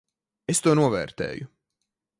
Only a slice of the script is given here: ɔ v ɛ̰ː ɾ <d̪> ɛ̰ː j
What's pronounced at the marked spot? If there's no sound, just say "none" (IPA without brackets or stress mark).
t̪